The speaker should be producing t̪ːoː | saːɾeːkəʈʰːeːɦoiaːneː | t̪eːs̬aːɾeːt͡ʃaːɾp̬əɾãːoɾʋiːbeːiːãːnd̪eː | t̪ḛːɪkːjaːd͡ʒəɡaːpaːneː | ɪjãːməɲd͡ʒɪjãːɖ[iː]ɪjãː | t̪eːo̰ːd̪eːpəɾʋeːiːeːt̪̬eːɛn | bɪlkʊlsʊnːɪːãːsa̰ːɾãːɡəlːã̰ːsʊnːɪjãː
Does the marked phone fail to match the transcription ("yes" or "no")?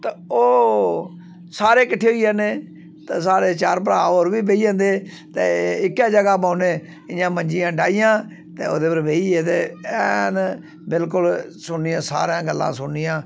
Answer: yes